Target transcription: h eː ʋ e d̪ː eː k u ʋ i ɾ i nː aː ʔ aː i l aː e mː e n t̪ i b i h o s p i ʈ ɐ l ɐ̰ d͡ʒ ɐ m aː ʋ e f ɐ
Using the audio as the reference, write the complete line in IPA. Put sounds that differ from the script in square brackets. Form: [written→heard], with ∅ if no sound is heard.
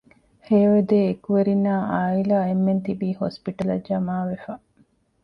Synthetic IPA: h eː ʋ e [d̪ː→d̪] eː k u ʋ [i→e] ɾ i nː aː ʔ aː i l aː e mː e n t̪ i b [i→iː] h o s p i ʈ ɐ l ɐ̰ d͡ʒ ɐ m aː ʋ e f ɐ